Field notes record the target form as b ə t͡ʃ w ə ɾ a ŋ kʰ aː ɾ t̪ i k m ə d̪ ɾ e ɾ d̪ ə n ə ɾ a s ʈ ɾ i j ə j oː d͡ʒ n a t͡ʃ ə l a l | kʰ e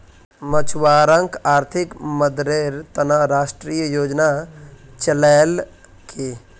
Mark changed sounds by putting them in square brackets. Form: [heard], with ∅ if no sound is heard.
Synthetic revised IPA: [m] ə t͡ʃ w [a] ɾ [ə] ŋ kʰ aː ɾ [t̪ʰ] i k m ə d̪ ɾ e ɾ [t̪] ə n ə ɾ a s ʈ ɾ i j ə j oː d͡ʒ n a t͡ʃ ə l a l | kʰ e